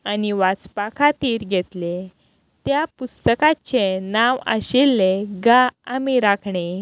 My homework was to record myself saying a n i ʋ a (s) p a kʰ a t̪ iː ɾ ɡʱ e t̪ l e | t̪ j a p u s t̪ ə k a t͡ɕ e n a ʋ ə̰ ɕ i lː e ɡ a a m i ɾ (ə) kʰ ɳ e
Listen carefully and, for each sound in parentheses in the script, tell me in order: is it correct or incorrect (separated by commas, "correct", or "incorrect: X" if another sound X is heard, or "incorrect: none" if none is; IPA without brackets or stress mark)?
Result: incorrect: t͡s, incorrect: a